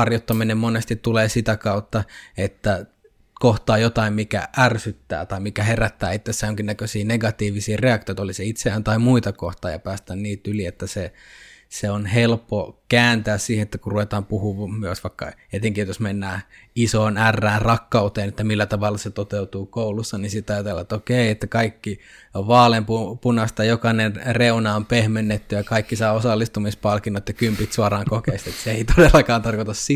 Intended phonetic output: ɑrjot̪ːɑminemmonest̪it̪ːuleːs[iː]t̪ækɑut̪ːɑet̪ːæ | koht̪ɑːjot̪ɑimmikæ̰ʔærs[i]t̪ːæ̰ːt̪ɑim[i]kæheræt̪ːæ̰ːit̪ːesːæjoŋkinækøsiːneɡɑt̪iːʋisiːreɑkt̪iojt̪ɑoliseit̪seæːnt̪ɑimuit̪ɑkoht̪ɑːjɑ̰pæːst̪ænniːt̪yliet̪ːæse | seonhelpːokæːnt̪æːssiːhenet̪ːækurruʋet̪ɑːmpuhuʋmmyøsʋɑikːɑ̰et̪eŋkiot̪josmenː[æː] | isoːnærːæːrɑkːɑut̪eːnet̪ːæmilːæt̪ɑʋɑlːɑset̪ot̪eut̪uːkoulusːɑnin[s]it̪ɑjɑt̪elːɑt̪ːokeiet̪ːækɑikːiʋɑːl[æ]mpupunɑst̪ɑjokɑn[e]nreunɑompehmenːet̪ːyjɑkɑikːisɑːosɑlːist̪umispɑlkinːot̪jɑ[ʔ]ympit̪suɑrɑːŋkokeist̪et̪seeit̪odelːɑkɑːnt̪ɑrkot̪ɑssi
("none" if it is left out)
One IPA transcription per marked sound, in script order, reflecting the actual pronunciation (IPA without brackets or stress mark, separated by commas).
i, y, i, æː, s, e, e, k